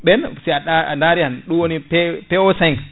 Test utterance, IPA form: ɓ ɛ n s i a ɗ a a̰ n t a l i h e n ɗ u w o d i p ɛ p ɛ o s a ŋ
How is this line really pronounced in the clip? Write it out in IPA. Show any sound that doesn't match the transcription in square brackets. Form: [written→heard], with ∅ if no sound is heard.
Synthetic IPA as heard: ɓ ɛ n s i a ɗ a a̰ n [t→d] a [l→ɾ] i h [e→a] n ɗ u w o [d→n] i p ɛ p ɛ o s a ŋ